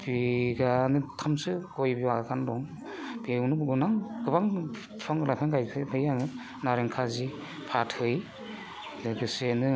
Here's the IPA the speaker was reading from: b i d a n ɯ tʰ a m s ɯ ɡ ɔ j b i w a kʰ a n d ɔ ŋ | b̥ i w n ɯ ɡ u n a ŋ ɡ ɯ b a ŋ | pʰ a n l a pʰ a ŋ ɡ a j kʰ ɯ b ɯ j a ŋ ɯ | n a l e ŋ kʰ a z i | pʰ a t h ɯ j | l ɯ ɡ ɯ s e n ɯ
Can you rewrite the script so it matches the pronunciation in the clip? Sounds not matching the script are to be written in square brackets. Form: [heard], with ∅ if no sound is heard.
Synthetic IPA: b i [ɡ] a n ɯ tʰ a m s ɯ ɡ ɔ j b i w a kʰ a n d ɔ ŋ | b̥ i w n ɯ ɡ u n a ŋ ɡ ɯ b a ŋ | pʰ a [ŋ] l a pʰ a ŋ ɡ a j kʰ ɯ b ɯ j a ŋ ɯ | n a [ɾ] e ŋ kʰ a z i | pʰ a t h ɯ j | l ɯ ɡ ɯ s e n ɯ

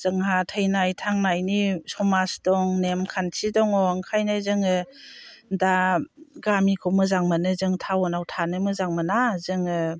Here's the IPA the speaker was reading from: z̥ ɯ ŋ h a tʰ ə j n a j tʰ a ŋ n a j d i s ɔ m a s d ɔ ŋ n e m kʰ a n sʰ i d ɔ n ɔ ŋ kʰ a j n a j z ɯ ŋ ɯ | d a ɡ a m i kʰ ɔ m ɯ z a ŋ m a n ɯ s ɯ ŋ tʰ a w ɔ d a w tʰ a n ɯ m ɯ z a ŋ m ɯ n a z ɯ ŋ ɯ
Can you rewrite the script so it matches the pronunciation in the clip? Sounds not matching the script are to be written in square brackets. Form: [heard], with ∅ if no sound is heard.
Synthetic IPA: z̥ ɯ ŋ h a tʰ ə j n a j tʰ a ŋ n a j [n] i s ɔ m a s d ɔ ŋ n e m kʰ a n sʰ i d ɔ [ŋ] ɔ ŋ kʰ a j n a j z ɯ ŋ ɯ | d a ɡ a m i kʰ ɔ m ɯ z a ŋ m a n ɯ [z] ɯ ŋ tʰ a w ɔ [n] a w tʰ a n ɯ m ɯ z a ŋ m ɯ n a z ɯ ŋ ɯ

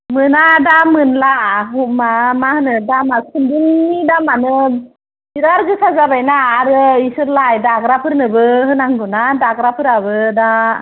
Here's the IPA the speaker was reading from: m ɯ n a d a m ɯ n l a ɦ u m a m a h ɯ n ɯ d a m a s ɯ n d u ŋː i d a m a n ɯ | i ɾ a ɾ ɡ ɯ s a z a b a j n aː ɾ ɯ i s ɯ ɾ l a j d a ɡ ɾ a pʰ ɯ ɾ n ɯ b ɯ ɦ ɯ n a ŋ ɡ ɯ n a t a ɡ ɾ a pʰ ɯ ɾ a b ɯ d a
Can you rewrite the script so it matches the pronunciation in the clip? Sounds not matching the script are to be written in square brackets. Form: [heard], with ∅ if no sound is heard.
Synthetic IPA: m ɯ n a d a m ɯ n l a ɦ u m a m a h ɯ n ɯ d a m a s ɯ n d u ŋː i d a m a n ɯ | i ɾ a ɾ ɡ ɯ s a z a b a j n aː ɾ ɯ i s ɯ ɾ l a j d a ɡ ɾ a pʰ ɯ ɾ n ɯ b ɯ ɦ ɯ n a ŋ ɡ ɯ n a [d] a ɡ ɾ a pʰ ɯ ɾ a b ɯ d a

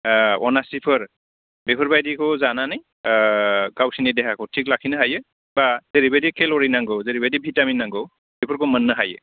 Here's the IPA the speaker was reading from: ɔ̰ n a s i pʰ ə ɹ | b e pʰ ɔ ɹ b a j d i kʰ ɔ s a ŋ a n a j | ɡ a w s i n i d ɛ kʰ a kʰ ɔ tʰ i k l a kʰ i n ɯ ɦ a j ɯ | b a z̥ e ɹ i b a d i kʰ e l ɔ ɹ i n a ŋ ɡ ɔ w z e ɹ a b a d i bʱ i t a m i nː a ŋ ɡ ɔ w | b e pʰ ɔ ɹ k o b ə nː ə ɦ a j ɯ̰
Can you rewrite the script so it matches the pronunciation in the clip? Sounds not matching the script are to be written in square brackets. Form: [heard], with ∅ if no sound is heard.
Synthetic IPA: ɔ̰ n a s i pʰ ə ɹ | b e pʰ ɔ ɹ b a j d i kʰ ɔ [z] a [n] a n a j | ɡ a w s i n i d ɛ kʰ a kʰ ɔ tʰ i k l a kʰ i n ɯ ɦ a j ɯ | b a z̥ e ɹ i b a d i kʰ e l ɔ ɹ i n a ŋ ɡ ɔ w z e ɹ [i] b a d i bʱ i t a m i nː a ŋ ɡ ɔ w | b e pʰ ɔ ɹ k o [m] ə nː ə ɦ a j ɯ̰

